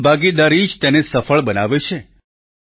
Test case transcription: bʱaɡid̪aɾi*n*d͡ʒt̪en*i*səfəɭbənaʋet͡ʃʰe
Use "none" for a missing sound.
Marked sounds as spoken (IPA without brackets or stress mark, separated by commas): none, e